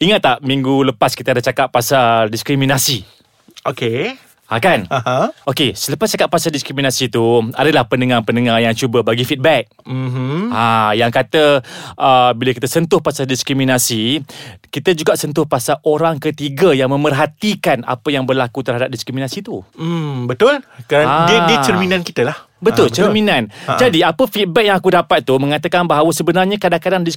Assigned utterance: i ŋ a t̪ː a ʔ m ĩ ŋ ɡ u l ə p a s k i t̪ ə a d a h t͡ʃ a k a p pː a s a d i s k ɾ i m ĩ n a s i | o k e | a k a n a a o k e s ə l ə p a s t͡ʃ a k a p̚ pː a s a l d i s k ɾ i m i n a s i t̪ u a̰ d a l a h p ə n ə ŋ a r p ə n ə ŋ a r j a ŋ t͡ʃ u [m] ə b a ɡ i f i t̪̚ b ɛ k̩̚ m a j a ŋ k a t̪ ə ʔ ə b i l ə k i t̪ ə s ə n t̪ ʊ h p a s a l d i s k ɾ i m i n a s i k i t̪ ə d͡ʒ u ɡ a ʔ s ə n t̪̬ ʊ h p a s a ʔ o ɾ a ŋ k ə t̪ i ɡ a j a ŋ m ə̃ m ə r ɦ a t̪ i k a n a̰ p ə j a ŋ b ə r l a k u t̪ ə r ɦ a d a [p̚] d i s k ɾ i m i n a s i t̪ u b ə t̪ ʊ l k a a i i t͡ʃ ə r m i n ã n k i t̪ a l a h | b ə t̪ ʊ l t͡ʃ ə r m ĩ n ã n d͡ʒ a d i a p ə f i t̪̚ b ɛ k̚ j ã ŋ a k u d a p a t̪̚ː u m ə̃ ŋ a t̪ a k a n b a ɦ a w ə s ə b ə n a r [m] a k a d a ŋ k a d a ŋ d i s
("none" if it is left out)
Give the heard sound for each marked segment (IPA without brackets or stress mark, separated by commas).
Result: b, p̚, ɲ